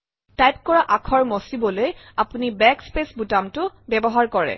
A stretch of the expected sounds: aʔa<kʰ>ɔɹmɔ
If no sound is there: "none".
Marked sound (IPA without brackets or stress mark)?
kʰ